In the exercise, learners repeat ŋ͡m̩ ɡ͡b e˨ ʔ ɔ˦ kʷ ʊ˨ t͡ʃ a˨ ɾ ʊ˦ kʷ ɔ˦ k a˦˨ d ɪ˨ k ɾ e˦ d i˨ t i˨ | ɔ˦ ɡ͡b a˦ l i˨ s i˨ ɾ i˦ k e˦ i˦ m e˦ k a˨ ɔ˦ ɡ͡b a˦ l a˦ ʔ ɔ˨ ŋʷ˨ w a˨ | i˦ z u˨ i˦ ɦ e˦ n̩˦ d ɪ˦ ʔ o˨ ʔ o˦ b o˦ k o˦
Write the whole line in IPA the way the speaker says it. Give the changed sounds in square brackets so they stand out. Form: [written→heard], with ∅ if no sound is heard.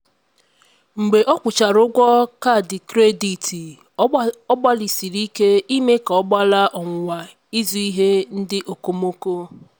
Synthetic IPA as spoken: ŋ͡m̩ ɡ͡b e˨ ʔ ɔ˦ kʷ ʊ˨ t͡ʃ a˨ ɾ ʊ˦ [kʷ→ɡʷ] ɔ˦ k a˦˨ d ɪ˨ k ɾ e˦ d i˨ t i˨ | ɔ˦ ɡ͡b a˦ l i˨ s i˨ ɾ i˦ k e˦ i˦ m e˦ k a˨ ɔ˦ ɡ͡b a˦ l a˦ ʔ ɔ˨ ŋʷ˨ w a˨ | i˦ z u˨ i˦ ɦ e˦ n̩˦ d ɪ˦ ʔ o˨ [ʔ→k] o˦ [b→m] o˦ k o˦